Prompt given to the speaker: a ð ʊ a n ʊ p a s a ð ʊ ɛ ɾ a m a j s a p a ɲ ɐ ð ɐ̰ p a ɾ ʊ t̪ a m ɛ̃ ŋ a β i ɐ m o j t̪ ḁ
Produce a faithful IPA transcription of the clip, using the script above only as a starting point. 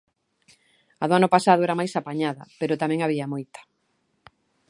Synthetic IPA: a ð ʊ a n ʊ p a s a ð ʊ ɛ ɾ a m a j s a p a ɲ a ð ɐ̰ p e ɾ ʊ t̪ a m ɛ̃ ŋ a β i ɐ m o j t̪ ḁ